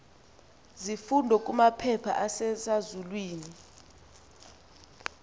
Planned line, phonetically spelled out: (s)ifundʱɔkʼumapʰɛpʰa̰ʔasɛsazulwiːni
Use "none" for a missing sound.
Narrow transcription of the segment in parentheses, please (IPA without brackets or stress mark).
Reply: z